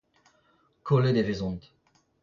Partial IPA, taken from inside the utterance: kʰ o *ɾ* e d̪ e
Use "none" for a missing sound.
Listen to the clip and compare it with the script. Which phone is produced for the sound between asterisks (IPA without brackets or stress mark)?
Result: l